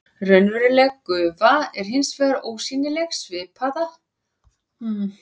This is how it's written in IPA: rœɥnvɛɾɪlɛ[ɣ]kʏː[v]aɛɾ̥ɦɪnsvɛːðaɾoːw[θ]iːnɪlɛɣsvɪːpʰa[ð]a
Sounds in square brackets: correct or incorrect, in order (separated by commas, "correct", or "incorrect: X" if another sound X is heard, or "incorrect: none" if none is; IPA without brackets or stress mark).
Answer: correct, correct, incorrect: s, correct